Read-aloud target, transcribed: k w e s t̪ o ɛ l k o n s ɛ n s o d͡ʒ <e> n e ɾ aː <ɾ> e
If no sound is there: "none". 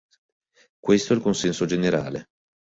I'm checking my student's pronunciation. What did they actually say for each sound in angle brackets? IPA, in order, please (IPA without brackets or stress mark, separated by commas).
e, l